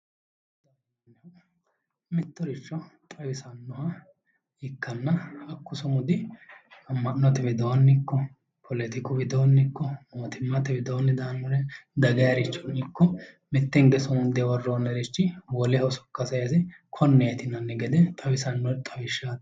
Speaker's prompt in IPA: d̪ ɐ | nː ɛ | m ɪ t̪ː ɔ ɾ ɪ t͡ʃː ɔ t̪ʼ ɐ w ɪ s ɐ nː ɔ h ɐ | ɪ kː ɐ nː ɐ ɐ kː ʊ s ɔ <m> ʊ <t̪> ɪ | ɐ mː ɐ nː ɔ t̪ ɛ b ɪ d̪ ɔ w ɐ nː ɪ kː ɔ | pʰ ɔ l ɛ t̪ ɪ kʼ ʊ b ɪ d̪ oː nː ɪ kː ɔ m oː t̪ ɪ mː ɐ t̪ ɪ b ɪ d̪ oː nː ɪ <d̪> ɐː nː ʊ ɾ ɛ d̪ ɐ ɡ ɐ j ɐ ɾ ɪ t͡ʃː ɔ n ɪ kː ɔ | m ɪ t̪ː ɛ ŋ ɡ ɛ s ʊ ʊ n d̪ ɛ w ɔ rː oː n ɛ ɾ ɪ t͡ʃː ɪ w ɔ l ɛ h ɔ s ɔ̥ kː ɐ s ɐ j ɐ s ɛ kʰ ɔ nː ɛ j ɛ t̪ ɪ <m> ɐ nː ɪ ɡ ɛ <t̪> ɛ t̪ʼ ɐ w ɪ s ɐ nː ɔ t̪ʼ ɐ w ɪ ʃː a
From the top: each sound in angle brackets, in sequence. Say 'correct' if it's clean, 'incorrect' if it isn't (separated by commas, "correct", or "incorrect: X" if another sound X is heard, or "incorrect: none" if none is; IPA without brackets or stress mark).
correct, incorrect: d̪, correct, incorrect: n, incorrect: d̪